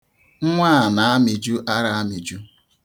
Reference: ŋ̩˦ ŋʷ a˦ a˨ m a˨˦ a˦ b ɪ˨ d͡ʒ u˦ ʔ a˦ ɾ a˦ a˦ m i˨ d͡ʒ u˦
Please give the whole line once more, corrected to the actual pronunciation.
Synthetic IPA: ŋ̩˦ ŋʷ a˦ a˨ n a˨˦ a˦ m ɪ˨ d͡ʒ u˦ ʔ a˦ ɾ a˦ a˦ m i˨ d͡ʒ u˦